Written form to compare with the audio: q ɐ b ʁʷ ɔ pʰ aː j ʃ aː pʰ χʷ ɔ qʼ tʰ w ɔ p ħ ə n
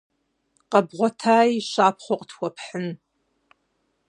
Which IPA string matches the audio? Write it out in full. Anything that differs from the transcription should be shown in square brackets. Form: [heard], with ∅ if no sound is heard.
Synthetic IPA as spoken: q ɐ b ʁʷ ɔ [tʰ] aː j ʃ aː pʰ χʷ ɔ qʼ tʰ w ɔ p ħ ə n